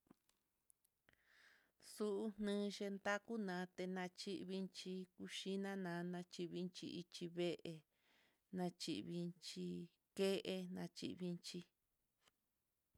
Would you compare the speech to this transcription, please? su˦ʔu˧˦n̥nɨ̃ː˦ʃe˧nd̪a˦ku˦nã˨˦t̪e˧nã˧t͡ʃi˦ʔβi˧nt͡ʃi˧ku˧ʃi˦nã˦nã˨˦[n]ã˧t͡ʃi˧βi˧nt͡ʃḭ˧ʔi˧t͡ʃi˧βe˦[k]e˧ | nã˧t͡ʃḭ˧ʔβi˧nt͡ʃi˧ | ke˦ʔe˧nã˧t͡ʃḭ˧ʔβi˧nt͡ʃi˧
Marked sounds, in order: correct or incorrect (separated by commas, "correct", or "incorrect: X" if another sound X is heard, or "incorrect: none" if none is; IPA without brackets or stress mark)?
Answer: correct, incorrect: ʔ